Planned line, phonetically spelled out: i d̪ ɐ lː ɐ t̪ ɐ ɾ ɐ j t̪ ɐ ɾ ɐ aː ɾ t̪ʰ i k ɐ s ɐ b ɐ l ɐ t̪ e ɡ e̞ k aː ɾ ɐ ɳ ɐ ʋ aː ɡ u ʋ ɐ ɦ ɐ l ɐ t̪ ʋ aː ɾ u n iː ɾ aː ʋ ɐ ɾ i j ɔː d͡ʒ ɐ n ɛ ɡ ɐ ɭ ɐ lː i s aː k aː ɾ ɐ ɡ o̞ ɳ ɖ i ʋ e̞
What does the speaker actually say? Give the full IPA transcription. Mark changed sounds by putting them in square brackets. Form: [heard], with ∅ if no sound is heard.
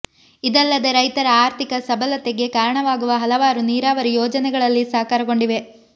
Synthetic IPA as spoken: i d̪ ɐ lː ɐ [d̪] ɐ ɾ ɐ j t̪ ɐ ɾ ɐ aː ɾ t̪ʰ i k ɐ s ɐ b ɐ l ɐ t̪ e ɡ e̞ k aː ɾ ɐ ɳ ɐ ʋ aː ɡ u ʋ ɐ ɦ ɐ l ɐ [∅] ʋ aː ɾ u n iː ɾ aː ʋ ɐ ɾ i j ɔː d͡ʒ ɐ n ɛ ɡ ɐ ɭ ɐ lː i s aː k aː ɾ ɐ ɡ o̞ ɳ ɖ i ʋ e̞